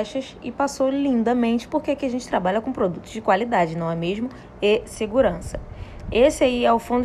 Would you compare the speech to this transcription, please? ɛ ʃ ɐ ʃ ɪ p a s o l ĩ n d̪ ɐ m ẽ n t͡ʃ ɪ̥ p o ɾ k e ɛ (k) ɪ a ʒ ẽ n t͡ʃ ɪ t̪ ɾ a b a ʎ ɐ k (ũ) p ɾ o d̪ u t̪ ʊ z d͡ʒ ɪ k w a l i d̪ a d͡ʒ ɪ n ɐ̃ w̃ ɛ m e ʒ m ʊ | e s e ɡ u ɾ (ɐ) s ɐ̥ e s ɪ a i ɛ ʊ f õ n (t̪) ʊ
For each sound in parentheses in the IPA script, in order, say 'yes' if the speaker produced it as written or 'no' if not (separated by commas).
yes, no, no, no